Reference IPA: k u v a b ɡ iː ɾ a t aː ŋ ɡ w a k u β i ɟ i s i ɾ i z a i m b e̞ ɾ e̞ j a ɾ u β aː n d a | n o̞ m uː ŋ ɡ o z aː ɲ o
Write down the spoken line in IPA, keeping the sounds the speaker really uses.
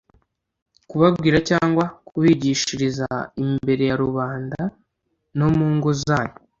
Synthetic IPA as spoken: k u β a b ɡ iː ɾ a c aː ŋ ɡ w a k u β i ɟ i ʃ i ɾ i z a i m b e̞ ɾ e̞ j a ɾ u β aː n d a | n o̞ m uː ŋ ɡ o z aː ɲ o